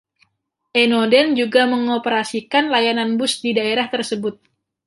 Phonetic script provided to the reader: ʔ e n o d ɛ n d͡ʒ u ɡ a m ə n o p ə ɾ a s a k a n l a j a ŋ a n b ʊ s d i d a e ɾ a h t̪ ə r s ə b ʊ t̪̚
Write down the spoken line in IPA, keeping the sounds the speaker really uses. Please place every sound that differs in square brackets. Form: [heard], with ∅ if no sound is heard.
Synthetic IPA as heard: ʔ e n o d ɛ n d͡ʒ u ɡ a m ə [ŋ] o p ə ɾ a s [i] k a n l a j a [n] a n b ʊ s d i d a e ɾ a h t̪ ə r s ə b ʊ t̪̚